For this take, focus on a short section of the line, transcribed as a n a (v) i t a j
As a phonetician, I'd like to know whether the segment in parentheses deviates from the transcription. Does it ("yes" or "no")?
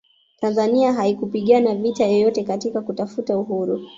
no